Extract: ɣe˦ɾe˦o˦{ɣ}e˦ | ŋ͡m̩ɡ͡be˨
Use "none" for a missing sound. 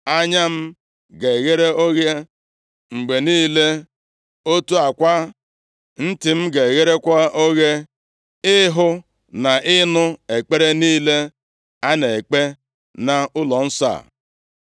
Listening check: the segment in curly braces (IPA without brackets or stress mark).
ɣ